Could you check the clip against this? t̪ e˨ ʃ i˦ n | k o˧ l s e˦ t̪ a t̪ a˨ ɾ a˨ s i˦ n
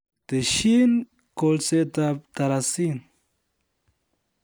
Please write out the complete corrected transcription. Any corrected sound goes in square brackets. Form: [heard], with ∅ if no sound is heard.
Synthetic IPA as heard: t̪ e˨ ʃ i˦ n | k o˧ l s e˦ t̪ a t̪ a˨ ɾ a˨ s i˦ n